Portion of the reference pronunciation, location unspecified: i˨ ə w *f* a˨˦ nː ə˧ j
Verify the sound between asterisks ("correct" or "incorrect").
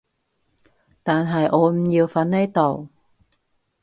correct